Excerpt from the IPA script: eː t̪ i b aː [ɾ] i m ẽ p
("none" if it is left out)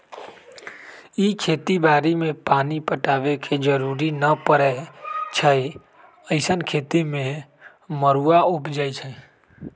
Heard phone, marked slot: ɾ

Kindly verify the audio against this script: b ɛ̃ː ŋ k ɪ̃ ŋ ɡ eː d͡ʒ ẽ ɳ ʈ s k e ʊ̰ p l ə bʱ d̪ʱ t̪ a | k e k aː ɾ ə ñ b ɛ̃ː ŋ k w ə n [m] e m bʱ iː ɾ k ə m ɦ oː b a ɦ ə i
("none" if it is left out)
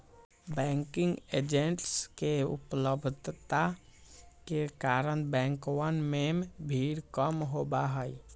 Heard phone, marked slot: m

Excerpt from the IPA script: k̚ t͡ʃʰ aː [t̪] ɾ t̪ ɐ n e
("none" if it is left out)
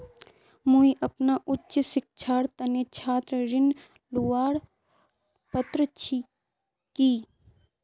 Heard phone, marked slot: none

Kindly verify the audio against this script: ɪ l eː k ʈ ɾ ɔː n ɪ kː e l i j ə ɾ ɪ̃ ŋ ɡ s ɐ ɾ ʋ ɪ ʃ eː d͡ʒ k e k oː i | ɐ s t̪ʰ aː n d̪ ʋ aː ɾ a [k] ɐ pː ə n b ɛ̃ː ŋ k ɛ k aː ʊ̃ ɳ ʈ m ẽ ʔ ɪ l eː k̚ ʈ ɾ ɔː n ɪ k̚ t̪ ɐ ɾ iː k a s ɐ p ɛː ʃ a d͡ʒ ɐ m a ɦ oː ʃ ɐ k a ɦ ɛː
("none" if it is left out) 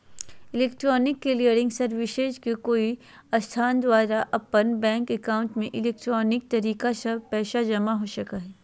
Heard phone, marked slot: ʔ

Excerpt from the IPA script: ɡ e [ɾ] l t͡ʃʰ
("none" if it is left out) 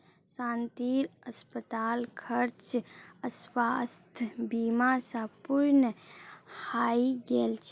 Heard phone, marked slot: none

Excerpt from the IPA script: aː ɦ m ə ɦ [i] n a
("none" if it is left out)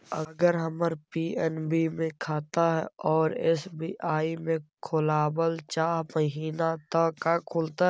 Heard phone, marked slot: iː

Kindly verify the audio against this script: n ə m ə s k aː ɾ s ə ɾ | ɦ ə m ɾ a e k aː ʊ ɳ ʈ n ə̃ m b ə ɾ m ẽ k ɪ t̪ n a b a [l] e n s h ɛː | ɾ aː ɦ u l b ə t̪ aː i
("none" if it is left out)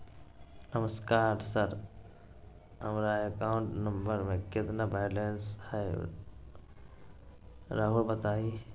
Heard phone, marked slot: l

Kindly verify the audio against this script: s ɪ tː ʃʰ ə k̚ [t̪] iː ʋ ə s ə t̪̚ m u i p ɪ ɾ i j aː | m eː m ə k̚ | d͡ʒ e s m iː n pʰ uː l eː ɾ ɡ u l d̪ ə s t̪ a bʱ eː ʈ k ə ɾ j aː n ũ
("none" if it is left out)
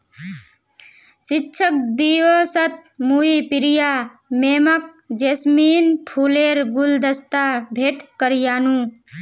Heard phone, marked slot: d̪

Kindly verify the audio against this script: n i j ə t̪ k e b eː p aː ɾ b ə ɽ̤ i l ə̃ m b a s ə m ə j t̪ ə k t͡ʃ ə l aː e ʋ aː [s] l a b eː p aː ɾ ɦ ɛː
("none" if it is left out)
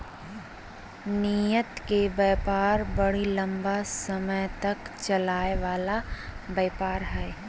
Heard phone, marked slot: none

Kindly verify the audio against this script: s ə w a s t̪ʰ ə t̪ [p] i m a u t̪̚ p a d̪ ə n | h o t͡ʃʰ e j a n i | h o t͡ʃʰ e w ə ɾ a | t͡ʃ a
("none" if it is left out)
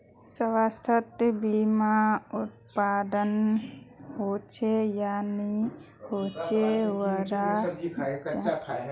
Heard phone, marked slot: b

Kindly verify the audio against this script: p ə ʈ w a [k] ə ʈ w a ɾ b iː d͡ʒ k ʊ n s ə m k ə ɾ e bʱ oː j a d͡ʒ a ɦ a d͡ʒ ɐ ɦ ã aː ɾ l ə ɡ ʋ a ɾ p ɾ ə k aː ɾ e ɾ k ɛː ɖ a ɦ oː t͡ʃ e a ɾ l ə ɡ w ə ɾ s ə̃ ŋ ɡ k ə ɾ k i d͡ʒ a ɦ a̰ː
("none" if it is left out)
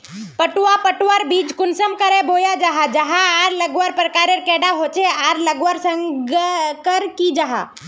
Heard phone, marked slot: p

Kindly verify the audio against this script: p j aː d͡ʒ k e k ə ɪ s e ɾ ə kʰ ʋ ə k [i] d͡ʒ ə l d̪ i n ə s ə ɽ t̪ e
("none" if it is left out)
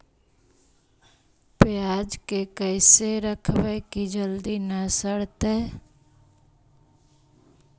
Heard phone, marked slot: i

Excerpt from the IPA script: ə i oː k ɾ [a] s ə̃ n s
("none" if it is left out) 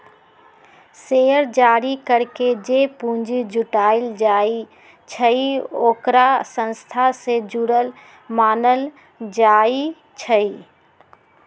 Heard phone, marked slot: a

